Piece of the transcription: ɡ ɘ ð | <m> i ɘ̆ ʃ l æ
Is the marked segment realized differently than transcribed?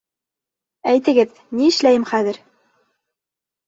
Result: yes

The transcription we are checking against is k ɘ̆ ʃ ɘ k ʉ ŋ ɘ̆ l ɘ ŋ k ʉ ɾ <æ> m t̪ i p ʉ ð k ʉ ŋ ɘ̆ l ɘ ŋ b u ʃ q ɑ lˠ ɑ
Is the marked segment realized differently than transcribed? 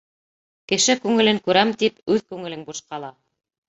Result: no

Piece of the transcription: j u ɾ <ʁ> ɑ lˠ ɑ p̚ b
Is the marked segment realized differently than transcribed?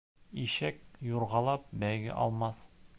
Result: no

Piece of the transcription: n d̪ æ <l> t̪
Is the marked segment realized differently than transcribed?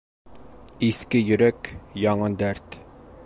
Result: yes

